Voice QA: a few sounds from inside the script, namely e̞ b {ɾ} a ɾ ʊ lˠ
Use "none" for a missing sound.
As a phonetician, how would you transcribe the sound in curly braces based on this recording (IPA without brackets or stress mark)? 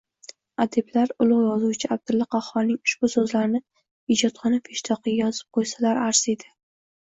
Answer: l